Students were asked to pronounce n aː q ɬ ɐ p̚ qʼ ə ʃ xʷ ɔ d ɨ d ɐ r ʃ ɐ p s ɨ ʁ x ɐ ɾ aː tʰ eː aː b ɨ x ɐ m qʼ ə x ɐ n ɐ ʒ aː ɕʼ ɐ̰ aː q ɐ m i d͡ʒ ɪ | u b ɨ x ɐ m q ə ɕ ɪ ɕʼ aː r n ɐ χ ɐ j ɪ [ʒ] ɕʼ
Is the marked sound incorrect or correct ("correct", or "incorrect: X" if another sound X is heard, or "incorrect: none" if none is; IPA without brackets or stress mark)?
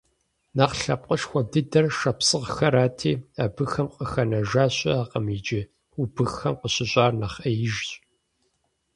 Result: correct